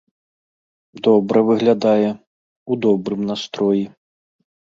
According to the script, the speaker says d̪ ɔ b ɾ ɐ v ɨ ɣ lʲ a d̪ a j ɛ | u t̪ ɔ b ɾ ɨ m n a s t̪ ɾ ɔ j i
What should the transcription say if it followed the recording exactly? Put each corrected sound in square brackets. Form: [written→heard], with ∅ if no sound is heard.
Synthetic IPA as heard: d̪ ɔ b ɾ ɐ v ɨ ɣ lʲ a d̪ a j ɛ | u [t̪→d̪] ɔ b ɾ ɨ m n a s t̪ ɾ ɔ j i